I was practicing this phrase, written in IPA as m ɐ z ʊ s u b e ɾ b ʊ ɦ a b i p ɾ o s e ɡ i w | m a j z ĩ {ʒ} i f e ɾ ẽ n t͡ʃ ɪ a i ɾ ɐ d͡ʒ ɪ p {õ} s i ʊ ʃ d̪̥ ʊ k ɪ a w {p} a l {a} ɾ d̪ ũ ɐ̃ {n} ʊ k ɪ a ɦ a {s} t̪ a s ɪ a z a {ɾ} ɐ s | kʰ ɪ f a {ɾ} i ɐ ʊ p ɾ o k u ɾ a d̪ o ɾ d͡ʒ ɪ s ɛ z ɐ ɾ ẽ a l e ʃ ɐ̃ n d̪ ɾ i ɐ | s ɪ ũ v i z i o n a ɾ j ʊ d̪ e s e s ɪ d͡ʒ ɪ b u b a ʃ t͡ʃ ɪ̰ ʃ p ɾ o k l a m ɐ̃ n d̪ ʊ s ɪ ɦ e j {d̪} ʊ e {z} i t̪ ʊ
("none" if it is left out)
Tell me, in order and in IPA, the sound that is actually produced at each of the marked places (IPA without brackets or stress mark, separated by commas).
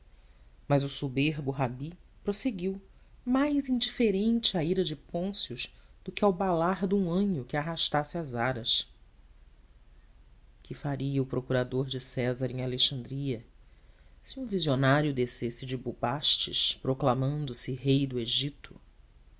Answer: d͡ʒ, õ, b, a, ɲ, ʃ, ɾ, ɾ, d̪, ʒ